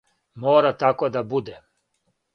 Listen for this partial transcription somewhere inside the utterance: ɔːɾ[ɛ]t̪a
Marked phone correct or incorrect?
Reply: incorrect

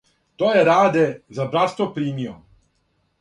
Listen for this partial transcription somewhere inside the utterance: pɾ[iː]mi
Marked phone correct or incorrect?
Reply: correct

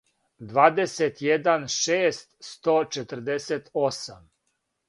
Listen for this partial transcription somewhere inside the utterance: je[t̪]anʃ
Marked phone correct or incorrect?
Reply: incorrect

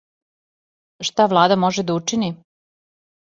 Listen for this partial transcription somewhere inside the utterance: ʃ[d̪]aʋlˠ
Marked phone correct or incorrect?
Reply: incorrect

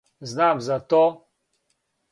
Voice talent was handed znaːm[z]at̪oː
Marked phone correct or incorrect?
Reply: correct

